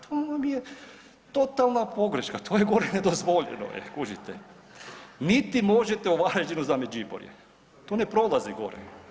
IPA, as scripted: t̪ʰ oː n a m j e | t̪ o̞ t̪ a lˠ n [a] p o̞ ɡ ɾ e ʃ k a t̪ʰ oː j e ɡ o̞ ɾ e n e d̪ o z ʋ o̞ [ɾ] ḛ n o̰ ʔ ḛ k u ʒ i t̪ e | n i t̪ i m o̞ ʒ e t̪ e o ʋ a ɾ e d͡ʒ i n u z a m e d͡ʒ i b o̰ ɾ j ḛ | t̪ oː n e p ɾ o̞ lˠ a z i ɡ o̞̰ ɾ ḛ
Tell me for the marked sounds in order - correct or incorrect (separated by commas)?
correct, incorrect